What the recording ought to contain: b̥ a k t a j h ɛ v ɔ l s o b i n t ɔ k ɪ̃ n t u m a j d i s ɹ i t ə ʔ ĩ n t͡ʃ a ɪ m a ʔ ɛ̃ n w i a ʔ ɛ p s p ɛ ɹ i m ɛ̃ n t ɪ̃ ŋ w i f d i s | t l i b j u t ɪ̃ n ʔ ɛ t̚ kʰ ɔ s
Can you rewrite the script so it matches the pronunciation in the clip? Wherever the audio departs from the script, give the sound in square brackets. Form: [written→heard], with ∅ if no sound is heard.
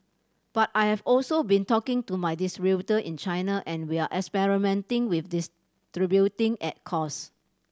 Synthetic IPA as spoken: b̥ a [k→∅] t a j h ɛ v ɔ l s o b [i→ĩ] n t ɔ k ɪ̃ [n→ŋ] t u m a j d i s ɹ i t ə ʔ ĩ n t͡ʃ a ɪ [m→n] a ʔ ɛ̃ n w i a ʔ ɛ [p→k] s p ɛ ɹ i m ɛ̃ n t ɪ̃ ŋ w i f d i s | t [l→ɹ] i b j u t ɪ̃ [n→ŋ] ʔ ɛ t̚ kʰ ɔ s